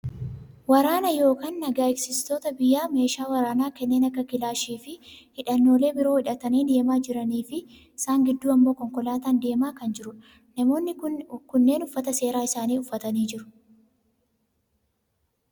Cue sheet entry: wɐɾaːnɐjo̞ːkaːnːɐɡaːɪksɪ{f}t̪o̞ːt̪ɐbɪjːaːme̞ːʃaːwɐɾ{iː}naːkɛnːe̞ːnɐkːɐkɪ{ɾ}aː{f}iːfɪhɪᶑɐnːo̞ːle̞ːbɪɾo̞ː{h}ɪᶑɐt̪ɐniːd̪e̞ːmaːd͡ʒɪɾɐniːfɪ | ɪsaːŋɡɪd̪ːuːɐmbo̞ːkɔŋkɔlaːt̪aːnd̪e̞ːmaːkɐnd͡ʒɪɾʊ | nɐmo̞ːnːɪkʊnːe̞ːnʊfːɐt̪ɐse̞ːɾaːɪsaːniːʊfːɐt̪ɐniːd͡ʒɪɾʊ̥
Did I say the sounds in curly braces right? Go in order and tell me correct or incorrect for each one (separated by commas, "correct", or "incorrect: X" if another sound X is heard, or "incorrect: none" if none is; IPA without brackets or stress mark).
incorrect: s, incorrect: aː, incorrect: l, incorrect: ʃ, correct